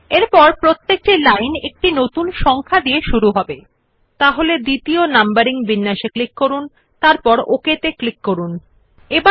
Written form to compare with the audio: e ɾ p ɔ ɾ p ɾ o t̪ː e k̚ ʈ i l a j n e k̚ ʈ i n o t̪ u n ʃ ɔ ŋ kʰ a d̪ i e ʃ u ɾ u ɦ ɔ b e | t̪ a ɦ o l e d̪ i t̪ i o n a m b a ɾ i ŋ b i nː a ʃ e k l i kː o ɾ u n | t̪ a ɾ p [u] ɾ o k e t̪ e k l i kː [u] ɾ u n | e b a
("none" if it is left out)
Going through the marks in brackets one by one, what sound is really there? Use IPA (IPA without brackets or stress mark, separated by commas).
ɔ, o